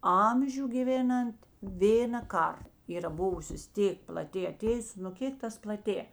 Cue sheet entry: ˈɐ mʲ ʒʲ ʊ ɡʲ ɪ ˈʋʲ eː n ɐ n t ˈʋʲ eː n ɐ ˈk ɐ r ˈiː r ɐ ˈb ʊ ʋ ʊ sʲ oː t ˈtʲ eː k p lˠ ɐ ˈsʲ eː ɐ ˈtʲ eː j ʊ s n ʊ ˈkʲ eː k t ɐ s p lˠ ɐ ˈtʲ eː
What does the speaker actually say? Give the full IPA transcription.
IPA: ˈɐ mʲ ʒʲ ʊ ɡʲ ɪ ˈʋʲ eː n ɐ n t ˈʋʲ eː n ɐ ˈk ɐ r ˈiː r ɐ ˈb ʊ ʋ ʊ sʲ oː s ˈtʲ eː k p lˠ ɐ ˈtʲ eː ɐ ˈtʲ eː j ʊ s n ʊ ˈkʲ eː k t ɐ s p lˠ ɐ ˈtʲ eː